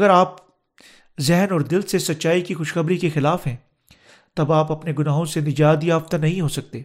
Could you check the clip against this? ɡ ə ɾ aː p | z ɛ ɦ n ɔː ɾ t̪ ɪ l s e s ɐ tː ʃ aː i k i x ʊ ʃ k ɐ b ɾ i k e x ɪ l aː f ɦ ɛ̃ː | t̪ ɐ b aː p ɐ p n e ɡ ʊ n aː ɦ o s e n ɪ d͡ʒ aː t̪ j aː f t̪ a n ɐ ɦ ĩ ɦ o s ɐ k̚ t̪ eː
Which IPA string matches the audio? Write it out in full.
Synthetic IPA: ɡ ə ɾ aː p | z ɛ ɦ n ɔː ɾ d̪ ɪ l s e s ɐ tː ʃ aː i k i x ʊ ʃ x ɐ b ɾ i k e x ɪ l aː f ɦ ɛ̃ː | t̪ ɐ b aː p ɐ p n e ɡ ʊ n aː ɦ õ s e n ɪ d͡ʒ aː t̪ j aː f t̪ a n ɐ ɦ ĩ ɦ o s ɐ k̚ t̪ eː